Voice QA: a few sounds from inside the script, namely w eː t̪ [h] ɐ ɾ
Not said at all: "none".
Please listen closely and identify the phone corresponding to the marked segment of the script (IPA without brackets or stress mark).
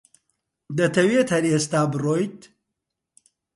h